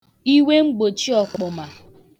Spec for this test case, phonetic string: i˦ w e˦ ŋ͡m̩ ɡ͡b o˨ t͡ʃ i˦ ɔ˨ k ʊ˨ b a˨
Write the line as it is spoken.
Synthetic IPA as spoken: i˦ w e˦ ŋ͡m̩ ɡ͡b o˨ t͡ʃ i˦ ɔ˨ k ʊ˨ m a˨